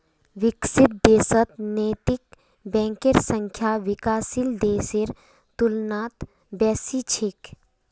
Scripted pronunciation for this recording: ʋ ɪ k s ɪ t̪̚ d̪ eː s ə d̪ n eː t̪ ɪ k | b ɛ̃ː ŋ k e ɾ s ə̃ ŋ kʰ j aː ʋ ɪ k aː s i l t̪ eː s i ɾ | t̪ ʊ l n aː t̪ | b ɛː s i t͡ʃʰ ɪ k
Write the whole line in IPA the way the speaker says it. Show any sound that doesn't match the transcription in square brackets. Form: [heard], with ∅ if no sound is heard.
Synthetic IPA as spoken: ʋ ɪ k s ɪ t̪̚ d̪ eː s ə [t̪] n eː t̪ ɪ k | b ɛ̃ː ŋ k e ɾ s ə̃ ŋ kʰ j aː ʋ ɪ k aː s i l [d̪] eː s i ɾ | t̪ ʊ l n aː t̪ | b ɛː s i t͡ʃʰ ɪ k